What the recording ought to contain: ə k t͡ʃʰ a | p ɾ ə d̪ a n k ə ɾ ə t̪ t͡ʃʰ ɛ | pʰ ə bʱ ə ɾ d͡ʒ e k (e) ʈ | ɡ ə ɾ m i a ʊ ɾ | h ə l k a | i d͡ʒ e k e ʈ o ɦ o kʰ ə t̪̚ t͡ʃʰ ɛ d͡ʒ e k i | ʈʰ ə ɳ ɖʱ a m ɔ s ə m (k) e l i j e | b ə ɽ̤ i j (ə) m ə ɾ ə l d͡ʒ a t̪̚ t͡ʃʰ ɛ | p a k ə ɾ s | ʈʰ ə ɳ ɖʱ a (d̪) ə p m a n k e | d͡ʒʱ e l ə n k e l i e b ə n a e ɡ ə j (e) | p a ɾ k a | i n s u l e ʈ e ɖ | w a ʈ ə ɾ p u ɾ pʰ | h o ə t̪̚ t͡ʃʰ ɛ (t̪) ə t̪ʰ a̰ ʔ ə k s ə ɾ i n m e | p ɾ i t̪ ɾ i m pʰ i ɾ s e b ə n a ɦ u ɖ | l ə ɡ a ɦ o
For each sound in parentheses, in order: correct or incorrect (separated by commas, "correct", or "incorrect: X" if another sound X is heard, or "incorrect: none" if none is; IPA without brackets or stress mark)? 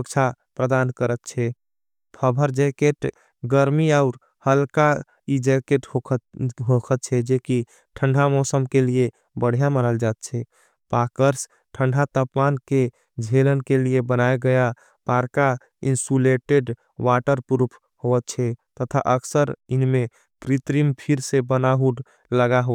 correct, correct, incorrect: a, incorrect: t̪, incorrect: a, correct